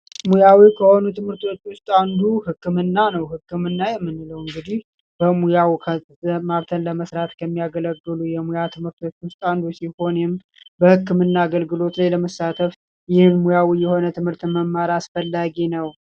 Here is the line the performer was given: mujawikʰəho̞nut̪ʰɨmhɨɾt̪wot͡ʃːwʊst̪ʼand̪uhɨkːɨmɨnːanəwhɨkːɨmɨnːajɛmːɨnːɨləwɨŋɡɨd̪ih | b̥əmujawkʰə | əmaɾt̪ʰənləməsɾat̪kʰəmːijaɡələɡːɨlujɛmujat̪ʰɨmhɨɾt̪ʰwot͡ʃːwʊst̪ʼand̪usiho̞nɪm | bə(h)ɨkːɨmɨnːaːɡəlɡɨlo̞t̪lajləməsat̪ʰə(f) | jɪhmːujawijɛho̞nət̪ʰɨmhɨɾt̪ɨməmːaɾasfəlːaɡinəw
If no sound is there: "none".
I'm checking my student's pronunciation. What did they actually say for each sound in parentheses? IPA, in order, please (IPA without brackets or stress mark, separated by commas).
h, f